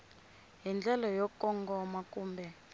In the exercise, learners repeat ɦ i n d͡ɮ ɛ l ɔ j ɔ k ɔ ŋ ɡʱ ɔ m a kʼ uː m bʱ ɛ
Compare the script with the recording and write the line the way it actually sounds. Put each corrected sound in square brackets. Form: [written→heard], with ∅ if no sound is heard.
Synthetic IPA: ɦ i n d͡ɮ ɛ l ɔ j ɔ k ɔ ŋ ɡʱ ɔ m a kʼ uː m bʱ ɛ

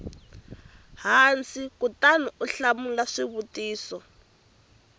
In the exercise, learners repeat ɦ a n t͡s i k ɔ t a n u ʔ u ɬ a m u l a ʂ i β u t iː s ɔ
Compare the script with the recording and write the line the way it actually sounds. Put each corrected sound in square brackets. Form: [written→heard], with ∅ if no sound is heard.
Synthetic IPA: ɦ a n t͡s i k [ɔ→u] t a n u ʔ u ɬ a m u l a ʂ i β u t iː s ɔ

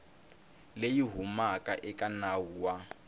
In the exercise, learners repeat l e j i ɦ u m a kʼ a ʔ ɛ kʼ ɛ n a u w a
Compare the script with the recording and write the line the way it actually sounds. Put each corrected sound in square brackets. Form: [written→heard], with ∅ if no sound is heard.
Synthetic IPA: l e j i ɦ u m a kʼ a ʔ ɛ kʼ [ɛ→a] n a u w a

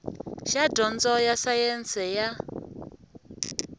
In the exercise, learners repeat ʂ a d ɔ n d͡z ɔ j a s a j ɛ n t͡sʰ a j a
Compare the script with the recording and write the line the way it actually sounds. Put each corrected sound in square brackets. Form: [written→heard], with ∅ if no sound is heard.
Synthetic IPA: [ʂ→ʃ] a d ɔ n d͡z ɔ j a s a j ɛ n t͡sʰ [a→ɛ] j a

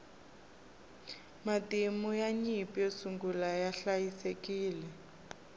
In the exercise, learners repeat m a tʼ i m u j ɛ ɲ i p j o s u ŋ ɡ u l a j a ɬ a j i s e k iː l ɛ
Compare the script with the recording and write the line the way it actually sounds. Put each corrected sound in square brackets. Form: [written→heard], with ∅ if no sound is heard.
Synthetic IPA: m a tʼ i m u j [ɛ→a] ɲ i p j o s u ŋ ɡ u l a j a ɬ a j i s e k iː l ɛ

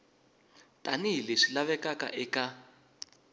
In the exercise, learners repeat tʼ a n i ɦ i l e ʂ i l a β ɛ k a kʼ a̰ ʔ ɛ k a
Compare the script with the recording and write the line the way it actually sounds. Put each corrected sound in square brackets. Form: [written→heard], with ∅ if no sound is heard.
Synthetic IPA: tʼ a n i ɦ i l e ʂ i l a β ɛ k a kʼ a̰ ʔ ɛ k a

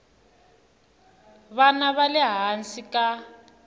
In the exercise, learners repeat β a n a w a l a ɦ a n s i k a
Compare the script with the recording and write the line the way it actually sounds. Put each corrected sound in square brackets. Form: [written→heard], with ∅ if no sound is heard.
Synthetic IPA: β a n a [w→β] a l [a→ɛ] ɦ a n s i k a

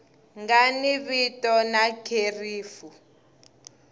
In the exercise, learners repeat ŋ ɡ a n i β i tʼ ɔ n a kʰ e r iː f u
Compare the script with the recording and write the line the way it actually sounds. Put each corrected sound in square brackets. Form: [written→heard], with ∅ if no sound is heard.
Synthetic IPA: ŋ ɡ a n i β i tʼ ɔ n a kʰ e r iː f u

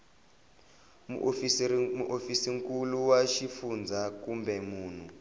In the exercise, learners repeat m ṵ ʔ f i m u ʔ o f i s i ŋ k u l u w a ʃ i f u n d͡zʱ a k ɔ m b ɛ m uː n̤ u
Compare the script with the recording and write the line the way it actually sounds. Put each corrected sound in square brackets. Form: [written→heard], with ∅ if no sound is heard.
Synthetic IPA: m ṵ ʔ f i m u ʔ o f i s i ŋ k u l u w a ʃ i f u n d͡zʱ a k [ɔ→u] m b ɛ m uː n̤ u

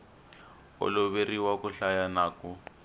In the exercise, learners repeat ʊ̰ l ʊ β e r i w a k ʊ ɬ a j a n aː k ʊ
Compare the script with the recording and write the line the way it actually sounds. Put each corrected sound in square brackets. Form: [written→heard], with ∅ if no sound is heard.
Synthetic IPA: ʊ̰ l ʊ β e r i w a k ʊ ɬ a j a n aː k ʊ

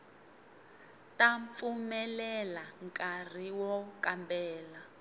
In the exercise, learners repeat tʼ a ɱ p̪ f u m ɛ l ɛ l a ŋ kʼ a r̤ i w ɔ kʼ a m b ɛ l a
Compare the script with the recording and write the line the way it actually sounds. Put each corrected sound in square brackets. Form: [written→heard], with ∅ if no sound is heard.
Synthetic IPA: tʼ a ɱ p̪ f u m ɛ l ɛ l a ŋ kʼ a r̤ i w ɔ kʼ a m b [ɛ→ɛː] l a

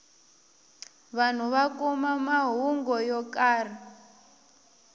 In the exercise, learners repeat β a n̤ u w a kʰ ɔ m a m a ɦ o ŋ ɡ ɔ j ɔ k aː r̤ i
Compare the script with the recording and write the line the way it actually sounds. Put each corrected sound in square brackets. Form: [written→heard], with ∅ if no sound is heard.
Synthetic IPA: β a n̤ u [w→β] a [kʰ→k] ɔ m a m a ɦ [o→u] ŋ ɡ ɔ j ɔ k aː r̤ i

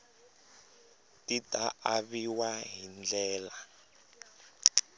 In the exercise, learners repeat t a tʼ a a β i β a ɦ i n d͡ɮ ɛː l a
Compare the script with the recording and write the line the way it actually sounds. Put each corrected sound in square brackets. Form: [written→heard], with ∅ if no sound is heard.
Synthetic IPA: t [a→i] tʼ a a β i [β→w] a ɦ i n d͡ɮ ɛː l a

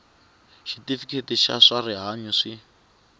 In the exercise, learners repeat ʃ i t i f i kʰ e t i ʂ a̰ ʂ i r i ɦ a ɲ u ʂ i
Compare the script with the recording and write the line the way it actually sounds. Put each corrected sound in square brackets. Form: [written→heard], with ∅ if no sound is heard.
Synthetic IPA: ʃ i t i f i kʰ e t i [ʂ→ʃ] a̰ ʂ [i→a] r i ɦ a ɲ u ʂ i

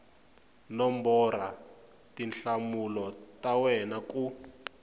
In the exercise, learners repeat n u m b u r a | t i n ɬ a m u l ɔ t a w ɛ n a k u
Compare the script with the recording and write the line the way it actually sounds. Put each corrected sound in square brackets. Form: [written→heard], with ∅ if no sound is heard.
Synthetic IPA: n [u→ɔ] m b [u→ɔ] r a | t i n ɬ a m u l ɔ t a w ɛ n a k u

